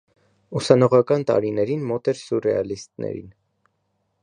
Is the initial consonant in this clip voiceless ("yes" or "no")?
yes